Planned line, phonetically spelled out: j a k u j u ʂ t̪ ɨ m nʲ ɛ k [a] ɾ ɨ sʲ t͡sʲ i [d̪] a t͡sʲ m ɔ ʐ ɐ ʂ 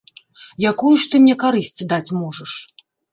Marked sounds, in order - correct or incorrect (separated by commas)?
correct, correct